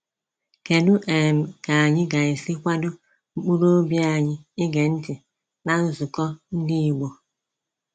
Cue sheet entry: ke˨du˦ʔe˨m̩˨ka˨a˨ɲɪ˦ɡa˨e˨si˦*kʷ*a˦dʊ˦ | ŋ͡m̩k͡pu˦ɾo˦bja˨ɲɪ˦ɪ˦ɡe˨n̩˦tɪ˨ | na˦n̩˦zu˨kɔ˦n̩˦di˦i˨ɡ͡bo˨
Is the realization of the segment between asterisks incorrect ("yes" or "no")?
no